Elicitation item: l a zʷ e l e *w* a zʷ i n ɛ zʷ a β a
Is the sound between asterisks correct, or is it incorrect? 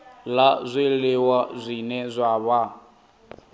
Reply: correct